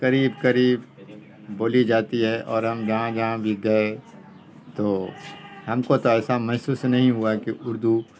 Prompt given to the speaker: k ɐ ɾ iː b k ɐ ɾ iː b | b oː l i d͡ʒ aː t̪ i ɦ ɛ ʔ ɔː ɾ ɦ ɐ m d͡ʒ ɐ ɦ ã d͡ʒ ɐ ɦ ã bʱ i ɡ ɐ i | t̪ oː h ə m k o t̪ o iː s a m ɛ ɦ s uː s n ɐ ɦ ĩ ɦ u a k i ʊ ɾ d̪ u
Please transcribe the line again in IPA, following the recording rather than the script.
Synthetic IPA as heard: k ɐ ɾ iː b k ɐ ɾ iː b | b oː l i d͡ʒ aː t̪ i ɦ ɛ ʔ ɔː ɾ ɦ ɐ m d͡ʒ ɐ ɦ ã d͡ʒ ɐ ɦ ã bʱ i ɡ ɐ e | t̪ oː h ɐ m k o t̪ o ɛː s a m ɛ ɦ s uː s n ɐ ɦ ĩ ɦ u a k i ʊ ɾ d̪ u